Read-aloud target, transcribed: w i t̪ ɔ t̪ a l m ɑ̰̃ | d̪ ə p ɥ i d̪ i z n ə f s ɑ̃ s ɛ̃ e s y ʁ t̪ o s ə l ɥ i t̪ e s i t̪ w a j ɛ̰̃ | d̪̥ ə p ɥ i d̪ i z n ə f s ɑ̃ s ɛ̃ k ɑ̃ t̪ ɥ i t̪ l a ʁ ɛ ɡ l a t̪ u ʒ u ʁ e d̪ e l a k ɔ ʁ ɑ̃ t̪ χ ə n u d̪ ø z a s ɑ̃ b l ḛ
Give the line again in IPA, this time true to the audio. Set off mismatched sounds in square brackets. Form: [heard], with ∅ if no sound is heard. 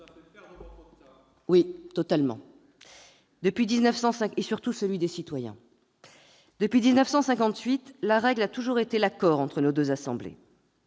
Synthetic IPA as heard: w i t̪ ɔ t̪ a l m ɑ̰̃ | d̪ ə p ɥ i d̪ i z n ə f s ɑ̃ s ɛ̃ e s y ʁ t̪ [u] s ə l ɥ i [d̪] e s i t̪ w a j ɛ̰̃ | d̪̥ ə p ɥ i d̪ i z n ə f s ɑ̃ s ɛ̃ k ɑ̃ t̪ ɥ i t̪ l a ʁ ɛ ɡ l a t̪ u ʒ u ʁ e [t̪] e l a k ɔ ʁ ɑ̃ t̪ χ ə n [o] d̪ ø z a s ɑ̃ b l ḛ

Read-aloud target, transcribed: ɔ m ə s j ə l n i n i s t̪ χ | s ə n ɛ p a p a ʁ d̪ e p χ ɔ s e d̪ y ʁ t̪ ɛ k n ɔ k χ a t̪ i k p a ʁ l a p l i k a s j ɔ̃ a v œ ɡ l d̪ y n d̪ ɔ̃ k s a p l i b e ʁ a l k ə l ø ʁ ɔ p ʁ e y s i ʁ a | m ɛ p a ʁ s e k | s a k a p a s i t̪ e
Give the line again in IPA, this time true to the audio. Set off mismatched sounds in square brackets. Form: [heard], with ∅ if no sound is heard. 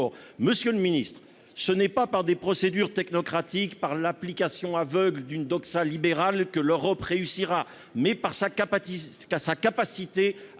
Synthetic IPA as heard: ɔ m ə s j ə l [m] i n i s t̪ χ | s ə n ɛ p a p a ʁ d̪ e p χ ɔ s e d̪ y ʁ t̪ ɛ k n ɔ k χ a t̪ i k p a ʁ l a p l i k a s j ɔ̃ a v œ ɡ l d̪ y n d̪ [ɔ] k s a [∅] l i b e ʁ a l k ə l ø ʁ ɔ p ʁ e y s i ʁ a | m ɛ p a ʁ s [a] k | s a k a p a s i t̪ e

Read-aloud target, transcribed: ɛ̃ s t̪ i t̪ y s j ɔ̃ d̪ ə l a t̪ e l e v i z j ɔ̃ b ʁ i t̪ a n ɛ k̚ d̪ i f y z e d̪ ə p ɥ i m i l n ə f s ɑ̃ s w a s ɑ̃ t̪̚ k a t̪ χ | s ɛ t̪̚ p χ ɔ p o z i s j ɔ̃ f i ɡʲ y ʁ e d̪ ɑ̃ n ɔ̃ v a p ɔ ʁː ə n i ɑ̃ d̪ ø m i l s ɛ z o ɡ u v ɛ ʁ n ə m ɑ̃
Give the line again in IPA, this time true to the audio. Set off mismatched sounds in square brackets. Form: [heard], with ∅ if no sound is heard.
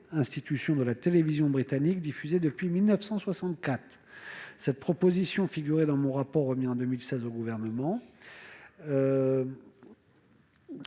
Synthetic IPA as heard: ɛ̃ s t̪ i t̪ y s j ɔ̃ d̪ ə l a t̪ e l e v i z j ɔ̃ b ʁ i t̪ a n [i] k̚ d̪ i f y z e d̪ ə p ɥ i m i l n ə f s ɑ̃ s w a s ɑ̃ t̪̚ k a t̪ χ | s ɛ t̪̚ p χ ɔ p o z i s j ɔ̃ f i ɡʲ y ʁ e d̪ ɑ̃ [m] ɔ̃ [ʁ] a p ɔ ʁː ə [m] i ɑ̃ d̪ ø m i l s ɛ z o ɡ u v ɛ ʁ n ə m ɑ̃

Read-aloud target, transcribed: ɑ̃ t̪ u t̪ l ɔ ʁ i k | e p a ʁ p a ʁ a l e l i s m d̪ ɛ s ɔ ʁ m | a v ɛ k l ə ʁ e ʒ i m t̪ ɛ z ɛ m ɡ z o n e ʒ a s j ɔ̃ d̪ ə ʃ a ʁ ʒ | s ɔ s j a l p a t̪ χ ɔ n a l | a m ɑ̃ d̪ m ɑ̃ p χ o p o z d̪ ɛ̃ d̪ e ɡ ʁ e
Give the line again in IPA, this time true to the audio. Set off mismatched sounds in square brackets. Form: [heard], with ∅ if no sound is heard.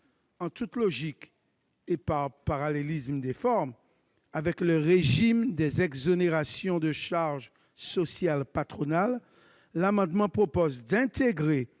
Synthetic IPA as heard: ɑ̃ t̪ u t̪ l ɔ [ʒ] i k | e p a ʁ p a ʁ a l e l i s m d̪ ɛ [f] ɔ ʁ m | a v ɛ k l ə ʁ e ʒ i m [d̪] ɛ z ɛ [∅] ɡ z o n e [ʁ] a s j ɔ̃ d̪ ə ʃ a ʁ ʒ | s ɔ s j a l p a t̪ χ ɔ n a [lː] | a m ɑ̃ d̪ m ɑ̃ p χ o p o z d̪ ɛ̃ [t̪] e ɡ ʁ e

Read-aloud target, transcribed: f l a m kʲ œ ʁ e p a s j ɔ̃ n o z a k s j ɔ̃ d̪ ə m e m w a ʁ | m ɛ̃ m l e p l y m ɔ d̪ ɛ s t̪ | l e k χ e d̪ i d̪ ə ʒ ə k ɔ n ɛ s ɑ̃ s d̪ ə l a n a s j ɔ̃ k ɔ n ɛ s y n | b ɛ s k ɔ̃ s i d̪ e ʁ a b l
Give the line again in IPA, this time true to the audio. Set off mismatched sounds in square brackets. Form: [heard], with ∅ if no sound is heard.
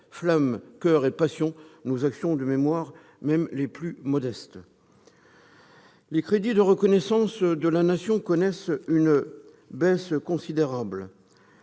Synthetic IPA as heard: f l a m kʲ œ ʁ e p a s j ɔ̃ n o z a k s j ɔ̃ d̪ ə m e m w a ʁ | m [ɛ] m l e p l y m ɔ d̪ ɛ s t̪ | l e k χ e d̪ i d̪ ə [ʁ] ə k ɔ n ɛ s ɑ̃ s d̪ ə l a n a s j ɔ̃ k ɔ n ɛ s y n | b ɛ s k ɔ̃ s i d̪ e ʁ a b l

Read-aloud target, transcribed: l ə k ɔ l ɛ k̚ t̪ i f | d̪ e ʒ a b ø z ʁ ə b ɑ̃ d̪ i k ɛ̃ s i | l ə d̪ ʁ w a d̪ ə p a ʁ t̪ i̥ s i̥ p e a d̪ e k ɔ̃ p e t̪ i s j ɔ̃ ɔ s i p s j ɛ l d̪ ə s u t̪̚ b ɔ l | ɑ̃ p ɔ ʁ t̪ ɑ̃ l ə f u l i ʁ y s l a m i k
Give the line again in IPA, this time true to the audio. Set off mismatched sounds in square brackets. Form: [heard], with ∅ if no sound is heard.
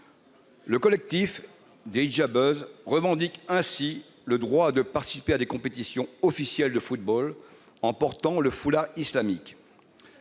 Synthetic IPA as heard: l ə k ɔ l ɛ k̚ t̪ i f | d̪ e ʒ a b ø z ʁ ə [v] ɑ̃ d̪ i k ɛ̃ s i | l ə d̪ ʁ w a d̪ ə p a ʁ t̪ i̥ s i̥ p e a d̪ e k ɔ̃ p e t̪ i s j ɔ̃ ɔ [f] i [∅] s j ɛ l d̪ ə [f] u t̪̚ b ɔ l | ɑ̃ p ɔ ʁ t̪ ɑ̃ l ə f u l [a] ʁ [i] s l a m i k

